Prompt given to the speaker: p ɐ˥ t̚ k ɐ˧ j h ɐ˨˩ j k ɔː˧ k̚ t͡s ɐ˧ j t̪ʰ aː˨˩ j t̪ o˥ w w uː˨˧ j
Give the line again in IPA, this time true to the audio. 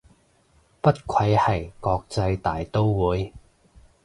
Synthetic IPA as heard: p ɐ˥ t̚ kʰ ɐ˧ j h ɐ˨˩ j k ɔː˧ k̚ t͡s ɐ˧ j t̪ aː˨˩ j t̪ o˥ w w uː˨˧ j